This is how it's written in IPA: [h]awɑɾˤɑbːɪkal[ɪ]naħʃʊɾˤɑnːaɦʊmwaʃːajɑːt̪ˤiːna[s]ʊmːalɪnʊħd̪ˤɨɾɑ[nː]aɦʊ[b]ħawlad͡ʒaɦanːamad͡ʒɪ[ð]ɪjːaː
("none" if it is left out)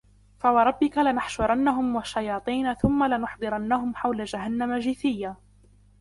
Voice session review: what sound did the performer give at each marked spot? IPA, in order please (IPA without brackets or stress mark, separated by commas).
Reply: f, ɪ, θ, nː, m, θ